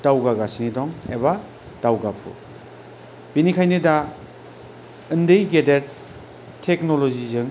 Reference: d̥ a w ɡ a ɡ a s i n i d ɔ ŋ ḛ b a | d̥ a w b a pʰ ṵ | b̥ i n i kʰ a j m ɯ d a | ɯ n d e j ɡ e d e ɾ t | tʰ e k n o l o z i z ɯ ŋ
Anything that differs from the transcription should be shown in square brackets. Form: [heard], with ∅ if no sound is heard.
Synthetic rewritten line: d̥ a w ɡ a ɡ a s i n i d ɔ ŋ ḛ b a | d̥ a w [ɡ] a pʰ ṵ | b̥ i n i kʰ a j [n] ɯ d a | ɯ n d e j ɡ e d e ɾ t | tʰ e k n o l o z i z ɯ ŋ